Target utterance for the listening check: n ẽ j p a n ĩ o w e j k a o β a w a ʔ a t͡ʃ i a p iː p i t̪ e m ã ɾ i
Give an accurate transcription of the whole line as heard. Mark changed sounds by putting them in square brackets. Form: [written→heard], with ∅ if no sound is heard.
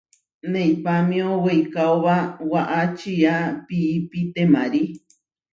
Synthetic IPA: n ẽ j p a [n→m] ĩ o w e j k a o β a w a ʔ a t͡ʃ i a p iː p i t̪ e m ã ɾ i

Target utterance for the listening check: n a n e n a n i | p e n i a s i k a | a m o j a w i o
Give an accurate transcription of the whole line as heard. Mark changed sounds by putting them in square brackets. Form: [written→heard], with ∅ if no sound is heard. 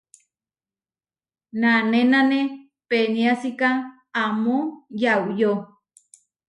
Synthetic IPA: n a n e n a n [i→e] | p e n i a s i k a | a m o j a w [i→j] o

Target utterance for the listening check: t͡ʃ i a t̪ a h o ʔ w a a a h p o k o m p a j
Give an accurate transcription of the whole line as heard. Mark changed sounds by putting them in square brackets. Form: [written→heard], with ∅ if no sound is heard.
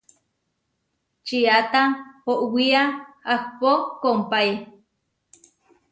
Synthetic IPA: t͡ʃ i a t̪ a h o ʔ w [a→i] a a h p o k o m p a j

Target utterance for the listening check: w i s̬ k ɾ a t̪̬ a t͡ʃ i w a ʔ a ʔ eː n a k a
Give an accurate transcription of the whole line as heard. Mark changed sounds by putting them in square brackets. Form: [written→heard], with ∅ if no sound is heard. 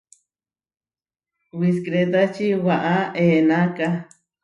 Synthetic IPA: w i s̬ k ɾ [a→e] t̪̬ a t͡ʃ i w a ʔ a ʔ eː n a k a

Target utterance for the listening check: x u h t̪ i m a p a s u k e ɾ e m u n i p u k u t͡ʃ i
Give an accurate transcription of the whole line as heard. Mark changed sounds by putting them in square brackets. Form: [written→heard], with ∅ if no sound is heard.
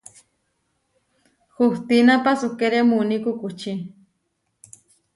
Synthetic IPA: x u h t̪ i [m→n] a p a s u k e ɾ e m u n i [p→k] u k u t͡ʃ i

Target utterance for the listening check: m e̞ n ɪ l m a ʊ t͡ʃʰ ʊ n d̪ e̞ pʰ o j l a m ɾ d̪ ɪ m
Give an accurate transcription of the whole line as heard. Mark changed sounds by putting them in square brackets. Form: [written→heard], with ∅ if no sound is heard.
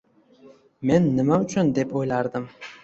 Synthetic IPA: m e̞ [n→nː] ɪ [l→∅] m a ʊ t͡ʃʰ ʊ n d̪ e̞ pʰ o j l a [m→∅] ɾ d̪ ɪ m

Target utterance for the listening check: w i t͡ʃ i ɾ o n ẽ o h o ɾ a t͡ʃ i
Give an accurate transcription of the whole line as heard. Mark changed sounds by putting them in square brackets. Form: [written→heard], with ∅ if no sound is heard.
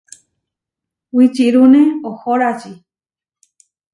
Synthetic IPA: w i t͡ʃ i ɾ [o→u] n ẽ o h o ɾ a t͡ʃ i

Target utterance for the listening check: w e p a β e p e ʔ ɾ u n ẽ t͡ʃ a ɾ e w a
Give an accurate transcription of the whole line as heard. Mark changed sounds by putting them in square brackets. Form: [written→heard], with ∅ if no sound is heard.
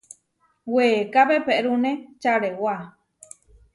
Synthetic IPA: w e [p→k] a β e p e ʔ ɾ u n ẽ t͡ʃ a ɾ e w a

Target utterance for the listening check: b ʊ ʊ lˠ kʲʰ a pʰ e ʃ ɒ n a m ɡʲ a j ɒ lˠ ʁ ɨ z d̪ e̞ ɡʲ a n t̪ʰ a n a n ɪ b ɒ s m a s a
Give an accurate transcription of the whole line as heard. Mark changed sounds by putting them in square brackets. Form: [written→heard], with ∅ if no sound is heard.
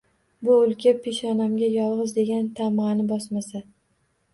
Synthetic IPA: b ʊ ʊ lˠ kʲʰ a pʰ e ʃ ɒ n a m ɡʲ a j ɒ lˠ ʁ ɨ z d̪ e̞ ɡʲ a n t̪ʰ a [n→m] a n ɪ b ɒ s m a s a

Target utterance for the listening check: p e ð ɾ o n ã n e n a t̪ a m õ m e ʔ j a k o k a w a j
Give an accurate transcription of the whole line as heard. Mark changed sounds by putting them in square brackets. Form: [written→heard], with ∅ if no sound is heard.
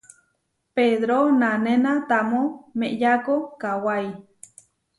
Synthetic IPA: p e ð ɾ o n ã n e n a t̪ a m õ m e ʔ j a k o k a w a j

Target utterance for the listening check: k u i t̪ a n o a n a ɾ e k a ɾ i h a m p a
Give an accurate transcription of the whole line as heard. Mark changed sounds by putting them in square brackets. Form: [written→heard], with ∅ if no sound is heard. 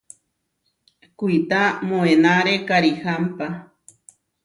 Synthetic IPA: k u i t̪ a [n→m] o [a→e] n a ɾ e k a ɾ i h a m p a

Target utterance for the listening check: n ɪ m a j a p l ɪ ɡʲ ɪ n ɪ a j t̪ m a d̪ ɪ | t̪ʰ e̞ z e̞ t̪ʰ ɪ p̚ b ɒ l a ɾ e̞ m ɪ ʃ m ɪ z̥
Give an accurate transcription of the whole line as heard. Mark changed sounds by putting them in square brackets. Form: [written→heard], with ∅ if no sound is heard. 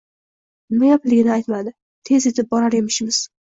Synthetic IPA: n ɪ m a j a p l ɪ ɡʲ ɪ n ɪ a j t̪ m a d̪ ɪ | t̪ʰ e̞ z e̞ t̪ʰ ɪ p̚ b ɒ [l→ɾ] a ɾ e̞ m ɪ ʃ m ɪ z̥

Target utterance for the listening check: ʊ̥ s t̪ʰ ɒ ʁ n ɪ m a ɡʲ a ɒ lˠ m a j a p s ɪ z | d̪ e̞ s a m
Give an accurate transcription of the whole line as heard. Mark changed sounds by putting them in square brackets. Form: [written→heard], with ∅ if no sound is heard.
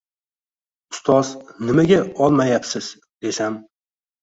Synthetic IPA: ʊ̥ s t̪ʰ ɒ [ʁ→z] n ɪ m a ɡʲ a ɒ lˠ m a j a p s ɪ z | d̪ e̞ s a m

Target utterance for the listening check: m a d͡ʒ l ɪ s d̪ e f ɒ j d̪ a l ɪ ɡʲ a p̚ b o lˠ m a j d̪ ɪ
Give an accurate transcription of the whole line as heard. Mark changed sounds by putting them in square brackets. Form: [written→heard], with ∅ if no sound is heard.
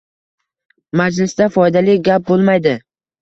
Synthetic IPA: m a d͡ʒ l ɪ s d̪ [e→a] f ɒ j d̪ a l ɪ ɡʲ a p̚ b o lˠ m a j d̪ ɪ

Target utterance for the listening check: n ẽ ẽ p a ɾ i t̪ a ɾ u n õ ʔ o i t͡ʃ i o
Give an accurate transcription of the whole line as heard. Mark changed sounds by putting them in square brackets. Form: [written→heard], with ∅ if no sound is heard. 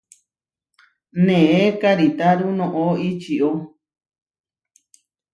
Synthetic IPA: n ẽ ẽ [p→k] a ɾ i t̪ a ɾ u n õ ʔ o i t͡ʃ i o

